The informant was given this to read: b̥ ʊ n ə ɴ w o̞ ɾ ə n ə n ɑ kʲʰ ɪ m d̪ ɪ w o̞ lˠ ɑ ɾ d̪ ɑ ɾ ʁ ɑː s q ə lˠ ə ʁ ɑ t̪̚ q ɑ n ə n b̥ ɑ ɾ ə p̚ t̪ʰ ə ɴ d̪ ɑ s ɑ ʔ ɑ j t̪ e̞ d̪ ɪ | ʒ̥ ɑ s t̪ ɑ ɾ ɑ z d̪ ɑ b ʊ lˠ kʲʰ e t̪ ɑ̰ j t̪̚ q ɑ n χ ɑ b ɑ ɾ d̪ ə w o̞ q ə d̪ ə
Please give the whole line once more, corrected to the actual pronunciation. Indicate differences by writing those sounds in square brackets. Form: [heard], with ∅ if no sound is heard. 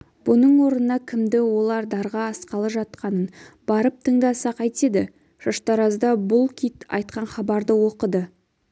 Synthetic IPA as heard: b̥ ʊ n ə ɴ w o̞ ɾ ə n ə n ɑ kʲʰ ɪ m d̪ ɪ w o̞ lˠ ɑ ɾ d̪ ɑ ɾ ʁ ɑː s q [ɑ] lˠ ə [ʒ] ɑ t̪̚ q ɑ n ə n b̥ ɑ ɾ ə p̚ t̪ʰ ə ɴ d̪ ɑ s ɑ [q] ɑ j t̪ e̞ d̪ ɪ | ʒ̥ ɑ [ʃ] t̪ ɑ ɾ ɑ z d̪ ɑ b ʊ lˠ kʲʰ [i] t̪ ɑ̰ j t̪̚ q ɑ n χ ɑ b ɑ ɾ d̪ ə w o̞ q ə d̪ ə